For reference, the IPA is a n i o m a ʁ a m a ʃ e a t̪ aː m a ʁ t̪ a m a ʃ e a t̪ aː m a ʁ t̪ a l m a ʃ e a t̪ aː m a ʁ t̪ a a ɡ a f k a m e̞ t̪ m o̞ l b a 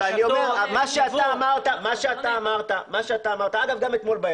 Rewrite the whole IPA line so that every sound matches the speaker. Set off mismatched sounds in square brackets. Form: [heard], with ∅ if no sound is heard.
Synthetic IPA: a n i o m [e] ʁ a m a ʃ e a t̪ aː m a ʁ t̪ a m a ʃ e a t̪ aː m a ʁ t̪ a [∅] m a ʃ e a t̪ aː m a ʁ t̪ a a ɡ a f [ɡ] a m e̞ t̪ m o̞ l b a

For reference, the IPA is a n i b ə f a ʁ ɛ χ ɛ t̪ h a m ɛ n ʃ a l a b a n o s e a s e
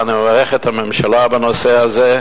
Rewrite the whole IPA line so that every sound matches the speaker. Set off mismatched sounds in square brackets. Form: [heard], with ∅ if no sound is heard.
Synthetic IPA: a n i [m] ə [v] a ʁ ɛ χ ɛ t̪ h a m ɛ [m] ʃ a l a b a n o s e a [z] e

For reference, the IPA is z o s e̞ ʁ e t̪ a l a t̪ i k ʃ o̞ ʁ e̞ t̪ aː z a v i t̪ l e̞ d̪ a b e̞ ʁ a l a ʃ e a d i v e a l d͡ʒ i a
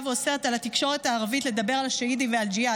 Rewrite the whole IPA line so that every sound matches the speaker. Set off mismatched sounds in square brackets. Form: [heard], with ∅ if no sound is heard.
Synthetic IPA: [v] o s e̞ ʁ e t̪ a l a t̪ i k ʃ o̞ ʁ e̞ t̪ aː [ʁ] a v i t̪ l e̞ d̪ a b e̞ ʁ a l a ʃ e [i] d i v e a l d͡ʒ i a

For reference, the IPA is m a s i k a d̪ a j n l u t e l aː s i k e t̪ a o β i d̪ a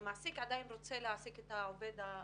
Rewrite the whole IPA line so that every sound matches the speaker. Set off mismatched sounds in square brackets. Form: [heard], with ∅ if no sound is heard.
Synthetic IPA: m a s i k a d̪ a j n [r] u [t͡s] e l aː s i k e t̪ a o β [e] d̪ a

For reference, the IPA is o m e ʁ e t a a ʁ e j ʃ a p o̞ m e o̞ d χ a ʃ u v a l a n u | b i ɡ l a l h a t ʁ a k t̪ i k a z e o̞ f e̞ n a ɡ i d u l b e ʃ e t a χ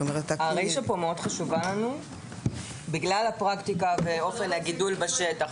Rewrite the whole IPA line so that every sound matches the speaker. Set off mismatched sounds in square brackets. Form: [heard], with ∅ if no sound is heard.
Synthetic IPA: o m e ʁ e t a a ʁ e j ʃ a p o̞ m e o̞ d χ a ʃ u v a l a n u | b i ɡ l a l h a [p] ʁ a k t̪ i k a [v] e o̞ f e̞ n a ɡ i d u l b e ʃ e t a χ

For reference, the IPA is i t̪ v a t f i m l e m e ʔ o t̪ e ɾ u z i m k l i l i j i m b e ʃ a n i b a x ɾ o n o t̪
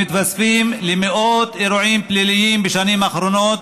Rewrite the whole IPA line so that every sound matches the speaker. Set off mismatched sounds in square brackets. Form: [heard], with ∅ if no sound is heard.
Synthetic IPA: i t̪ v a [s] f i m l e m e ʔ o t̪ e ɾ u [ʕ] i m [p] l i l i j i m b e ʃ a n i [m] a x ɾ o n o t̪

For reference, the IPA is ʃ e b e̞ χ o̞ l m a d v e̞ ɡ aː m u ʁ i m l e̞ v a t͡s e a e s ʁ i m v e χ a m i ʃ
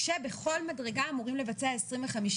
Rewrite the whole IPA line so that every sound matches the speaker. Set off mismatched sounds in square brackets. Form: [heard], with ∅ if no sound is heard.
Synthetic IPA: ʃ e b e̞ χ o̞ l m a d [ʁ] e̞ ɡ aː m u ʁ i m l e̞ v a t͡s e a e s ʁ i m v e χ a m i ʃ

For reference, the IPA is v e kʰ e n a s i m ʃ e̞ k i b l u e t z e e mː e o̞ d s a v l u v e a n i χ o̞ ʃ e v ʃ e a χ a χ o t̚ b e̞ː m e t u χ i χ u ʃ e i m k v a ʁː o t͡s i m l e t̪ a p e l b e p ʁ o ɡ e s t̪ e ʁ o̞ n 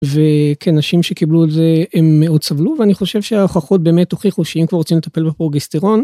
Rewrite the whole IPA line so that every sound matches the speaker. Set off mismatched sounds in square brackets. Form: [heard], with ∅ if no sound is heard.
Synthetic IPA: v e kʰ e n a [ʃ] i m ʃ e̞ k i b l u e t z e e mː e o̞ d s a v l u v e a n i χ o̞ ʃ e v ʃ e a χ a χ o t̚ b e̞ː m e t [o] χ i χ u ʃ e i m k v a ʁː o t͡s i m l e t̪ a p e l b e p ʁ o ɡ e s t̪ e ʁ o̞ n

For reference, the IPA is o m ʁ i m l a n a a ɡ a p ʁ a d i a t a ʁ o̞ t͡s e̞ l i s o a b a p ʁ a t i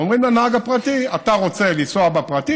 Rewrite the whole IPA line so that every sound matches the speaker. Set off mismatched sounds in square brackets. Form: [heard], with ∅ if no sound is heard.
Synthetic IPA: o m ʁ i m l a n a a ɡ a p ʁ a [t] i a t a ʁ o̞ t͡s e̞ l i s o a b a p ʁ a t i

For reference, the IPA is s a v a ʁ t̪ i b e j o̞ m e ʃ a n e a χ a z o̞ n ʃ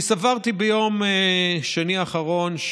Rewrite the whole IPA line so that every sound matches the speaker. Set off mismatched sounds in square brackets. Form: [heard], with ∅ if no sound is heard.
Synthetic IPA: s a v a ʁ t̪ i b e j o̞ m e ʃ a n [i] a χ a [ʁ] o̞ n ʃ

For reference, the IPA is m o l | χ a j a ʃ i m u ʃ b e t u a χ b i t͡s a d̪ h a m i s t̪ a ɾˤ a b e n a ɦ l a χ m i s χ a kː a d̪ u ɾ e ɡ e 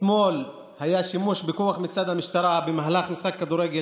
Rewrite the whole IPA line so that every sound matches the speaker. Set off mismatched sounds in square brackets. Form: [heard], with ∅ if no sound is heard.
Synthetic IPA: m o l | [h] a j a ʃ i m u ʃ b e [k] u a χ [m] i t͡s a d̪ h a m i [ʃ] t̪ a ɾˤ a b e [m] a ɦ l a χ m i s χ a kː a d̪ u ɾ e ɡ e

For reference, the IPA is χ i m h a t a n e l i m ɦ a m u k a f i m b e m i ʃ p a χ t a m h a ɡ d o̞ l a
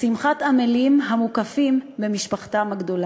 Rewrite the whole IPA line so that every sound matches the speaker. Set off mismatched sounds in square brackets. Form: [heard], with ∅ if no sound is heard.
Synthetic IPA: [s] i m [χ] a t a [m] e l i m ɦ a m u k a f i m b e m i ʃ p a χ t a m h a ɡ d o̞ l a

